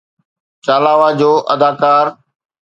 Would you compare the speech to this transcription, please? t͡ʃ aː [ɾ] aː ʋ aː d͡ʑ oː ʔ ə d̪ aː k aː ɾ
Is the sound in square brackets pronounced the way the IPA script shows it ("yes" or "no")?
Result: no